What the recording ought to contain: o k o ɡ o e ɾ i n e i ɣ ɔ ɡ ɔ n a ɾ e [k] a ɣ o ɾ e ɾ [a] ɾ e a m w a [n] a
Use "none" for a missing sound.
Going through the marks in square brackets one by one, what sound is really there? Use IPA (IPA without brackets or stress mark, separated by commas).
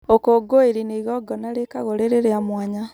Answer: k, e, ɲ